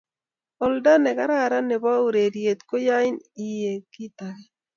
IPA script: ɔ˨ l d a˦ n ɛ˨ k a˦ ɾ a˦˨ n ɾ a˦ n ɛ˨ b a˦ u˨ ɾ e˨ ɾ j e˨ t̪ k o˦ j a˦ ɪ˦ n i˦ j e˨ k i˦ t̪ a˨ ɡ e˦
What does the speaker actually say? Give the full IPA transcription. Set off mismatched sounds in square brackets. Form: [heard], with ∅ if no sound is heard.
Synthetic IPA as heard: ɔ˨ l d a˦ n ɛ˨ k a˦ ɾ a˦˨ [∅] ɾ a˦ n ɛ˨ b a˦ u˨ ɾ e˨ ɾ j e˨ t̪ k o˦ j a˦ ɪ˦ n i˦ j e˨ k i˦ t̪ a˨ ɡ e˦